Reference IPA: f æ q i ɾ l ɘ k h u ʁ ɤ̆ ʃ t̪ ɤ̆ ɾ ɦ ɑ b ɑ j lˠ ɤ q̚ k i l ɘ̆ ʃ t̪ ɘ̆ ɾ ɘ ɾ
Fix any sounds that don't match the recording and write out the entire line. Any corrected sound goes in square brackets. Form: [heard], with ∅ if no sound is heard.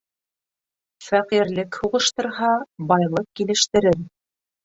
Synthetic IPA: f æ q i ɾ l ɘ k h u ʁ ɤ̆ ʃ t̪ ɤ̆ ɾ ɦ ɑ b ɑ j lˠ ɤ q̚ k i l ɘ̆ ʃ t̪ ɘ̆ ɾ ɘ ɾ